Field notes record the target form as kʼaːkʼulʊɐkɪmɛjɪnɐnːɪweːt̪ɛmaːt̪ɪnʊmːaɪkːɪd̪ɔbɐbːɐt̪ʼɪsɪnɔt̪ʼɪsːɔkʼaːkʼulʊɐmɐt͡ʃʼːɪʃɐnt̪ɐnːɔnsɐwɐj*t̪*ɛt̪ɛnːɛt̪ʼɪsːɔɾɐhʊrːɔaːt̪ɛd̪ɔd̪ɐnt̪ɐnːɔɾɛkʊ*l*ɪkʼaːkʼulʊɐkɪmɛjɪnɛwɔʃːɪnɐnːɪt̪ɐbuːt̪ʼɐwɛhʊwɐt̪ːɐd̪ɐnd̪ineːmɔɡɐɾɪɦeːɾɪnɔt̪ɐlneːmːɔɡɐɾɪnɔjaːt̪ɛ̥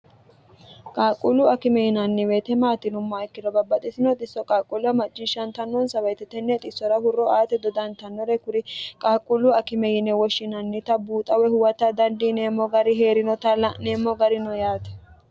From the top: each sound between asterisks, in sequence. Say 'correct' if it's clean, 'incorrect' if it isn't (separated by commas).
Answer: correct, incorrect